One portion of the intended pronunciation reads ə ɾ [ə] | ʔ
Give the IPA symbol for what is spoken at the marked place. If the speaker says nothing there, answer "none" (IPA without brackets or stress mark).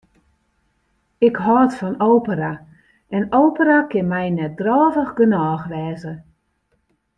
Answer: a